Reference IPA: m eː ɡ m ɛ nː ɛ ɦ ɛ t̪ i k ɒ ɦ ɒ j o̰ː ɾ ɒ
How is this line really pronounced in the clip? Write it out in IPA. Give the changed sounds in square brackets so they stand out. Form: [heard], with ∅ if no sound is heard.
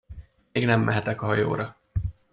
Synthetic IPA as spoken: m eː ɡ [n] ɛ [mː] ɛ ɦ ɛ t̪ [ɛ] k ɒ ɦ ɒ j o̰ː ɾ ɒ